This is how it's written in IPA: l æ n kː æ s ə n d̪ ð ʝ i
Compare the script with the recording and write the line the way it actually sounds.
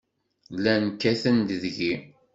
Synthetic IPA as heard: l æ n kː æ θ ə n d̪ ð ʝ i